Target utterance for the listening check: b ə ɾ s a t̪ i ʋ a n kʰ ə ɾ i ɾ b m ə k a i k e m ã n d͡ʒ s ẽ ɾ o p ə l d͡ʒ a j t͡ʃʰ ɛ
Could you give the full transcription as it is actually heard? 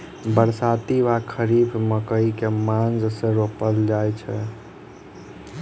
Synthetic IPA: b ə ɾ s a t̪ i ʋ a kʰ ə ɾ i b m ə k ə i k e m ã n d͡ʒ s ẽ ɾ o p ə l d͡ʒ a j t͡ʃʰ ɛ